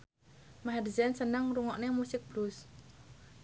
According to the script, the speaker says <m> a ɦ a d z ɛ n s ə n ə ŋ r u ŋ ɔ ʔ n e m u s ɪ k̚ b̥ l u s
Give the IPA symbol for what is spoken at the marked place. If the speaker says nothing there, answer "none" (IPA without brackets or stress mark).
m